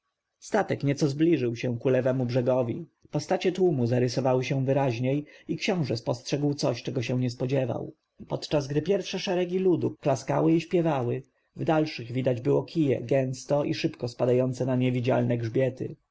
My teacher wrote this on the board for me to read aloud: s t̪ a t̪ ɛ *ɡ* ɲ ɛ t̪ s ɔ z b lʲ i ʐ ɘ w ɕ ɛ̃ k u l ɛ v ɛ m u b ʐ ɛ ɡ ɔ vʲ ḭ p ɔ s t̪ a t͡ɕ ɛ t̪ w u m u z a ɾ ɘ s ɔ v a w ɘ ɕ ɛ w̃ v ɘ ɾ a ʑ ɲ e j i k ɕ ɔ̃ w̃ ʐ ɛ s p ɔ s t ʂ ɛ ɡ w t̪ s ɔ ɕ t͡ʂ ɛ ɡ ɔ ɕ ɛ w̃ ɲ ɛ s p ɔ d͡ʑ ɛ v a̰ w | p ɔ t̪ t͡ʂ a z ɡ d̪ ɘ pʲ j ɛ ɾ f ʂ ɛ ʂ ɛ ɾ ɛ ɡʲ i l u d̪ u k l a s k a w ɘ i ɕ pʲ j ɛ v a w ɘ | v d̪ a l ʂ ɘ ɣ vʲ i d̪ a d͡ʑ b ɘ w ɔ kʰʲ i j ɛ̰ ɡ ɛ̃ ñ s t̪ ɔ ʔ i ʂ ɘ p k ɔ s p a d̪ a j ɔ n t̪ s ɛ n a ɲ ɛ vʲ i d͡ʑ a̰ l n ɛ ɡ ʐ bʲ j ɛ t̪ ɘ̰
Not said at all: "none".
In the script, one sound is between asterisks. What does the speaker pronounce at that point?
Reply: k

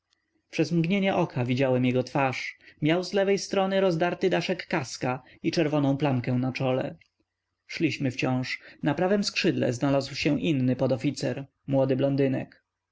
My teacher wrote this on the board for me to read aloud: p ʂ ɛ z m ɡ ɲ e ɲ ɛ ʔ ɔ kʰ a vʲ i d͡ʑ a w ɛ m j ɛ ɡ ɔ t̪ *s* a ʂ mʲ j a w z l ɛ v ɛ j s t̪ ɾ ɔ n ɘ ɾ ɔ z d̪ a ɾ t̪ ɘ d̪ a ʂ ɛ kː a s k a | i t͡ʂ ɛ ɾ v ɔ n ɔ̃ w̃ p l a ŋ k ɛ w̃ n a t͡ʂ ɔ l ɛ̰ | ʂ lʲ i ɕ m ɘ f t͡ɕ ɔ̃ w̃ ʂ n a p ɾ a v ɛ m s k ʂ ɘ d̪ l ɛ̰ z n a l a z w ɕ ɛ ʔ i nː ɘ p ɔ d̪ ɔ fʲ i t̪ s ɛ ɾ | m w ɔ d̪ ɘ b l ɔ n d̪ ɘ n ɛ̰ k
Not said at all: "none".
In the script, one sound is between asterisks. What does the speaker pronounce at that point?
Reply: f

